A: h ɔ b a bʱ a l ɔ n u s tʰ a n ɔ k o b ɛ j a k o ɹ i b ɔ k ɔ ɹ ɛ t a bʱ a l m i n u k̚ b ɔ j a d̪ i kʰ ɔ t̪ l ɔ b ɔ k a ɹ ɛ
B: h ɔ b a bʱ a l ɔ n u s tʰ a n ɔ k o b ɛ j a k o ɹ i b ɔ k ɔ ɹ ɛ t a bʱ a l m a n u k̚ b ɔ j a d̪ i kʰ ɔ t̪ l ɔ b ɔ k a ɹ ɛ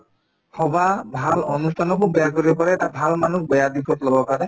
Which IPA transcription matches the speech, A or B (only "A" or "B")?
B